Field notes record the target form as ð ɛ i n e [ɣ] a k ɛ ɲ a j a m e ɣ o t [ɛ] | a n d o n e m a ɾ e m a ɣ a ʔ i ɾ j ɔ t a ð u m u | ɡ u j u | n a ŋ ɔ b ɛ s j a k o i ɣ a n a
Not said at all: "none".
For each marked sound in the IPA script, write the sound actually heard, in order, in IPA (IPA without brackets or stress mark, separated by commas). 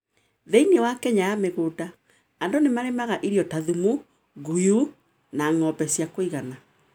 w, a